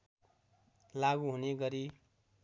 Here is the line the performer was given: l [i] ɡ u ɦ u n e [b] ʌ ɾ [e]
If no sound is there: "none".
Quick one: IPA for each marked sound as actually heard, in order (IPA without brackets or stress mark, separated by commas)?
a, ɡ, i